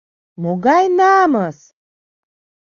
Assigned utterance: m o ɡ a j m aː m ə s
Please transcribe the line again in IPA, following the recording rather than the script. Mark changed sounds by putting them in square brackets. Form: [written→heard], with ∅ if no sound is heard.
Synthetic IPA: m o ɡ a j [m→n] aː m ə s